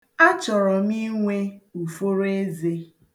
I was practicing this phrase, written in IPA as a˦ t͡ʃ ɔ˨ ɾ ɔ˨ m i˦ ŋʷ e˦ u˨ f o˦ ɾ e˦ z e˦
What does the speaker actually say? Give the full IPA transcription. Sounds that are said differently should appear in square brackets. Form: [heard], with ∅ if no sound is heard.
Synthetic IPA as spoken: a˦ t͡ʃ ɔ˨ ɾ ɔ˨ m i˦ ŋʷ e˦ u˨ f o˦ ɾ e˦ z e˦